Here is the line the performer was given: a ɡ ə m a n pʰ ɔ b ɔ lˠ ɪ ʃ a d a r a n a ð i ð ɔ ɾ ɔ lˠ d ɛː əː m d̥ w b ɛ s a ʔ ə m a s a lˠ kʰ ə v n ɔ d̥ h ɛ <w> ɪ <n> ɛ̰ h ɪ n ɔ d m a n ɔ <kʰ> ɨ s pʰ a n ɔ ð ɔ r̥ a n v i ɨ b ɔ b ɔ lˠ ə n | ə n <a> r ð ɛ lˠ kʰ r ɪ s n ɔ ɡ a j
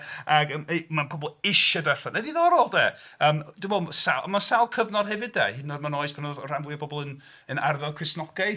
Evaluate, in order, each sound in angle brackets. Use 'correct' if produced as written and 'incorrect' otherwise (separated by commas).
incorrect, incorrect, incorrect, correct